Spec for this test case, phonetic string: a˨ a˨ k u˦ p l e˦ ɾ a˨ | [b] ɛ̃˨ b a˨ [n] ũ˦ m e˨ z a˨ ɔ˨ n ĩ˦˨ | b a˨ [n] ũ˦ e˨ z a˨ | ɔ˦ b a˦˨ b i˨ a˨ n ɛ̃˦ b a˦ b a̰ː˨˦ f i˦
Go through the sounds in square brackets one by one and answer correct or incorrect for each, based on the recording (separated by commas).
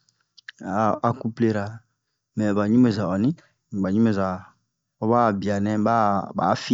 incorrect, incorrect, incorrect